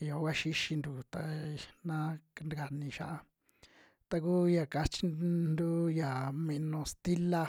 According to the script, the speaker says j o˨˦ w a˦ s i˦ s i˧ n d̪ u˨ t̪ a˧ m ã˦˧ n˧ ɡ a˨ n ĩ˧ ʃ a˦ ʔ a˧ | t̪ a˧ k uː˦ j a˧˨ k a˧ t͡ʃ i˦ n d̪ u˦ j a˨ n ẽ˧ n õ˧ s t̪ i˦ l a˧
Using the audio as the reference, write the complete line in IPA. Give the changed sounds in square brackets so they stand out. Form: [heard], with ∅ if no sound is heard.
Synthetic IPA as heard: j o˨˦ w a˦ [ʃ] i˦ [ʃ] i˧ n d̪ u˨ t̪ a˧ [n] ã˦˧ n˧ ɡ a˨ n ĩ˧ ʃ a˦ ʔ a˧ | t̪ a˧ k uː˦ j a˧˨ k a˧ t͡ʃ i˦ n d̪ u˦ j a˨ [m] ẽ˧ n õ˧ s t̪ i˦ l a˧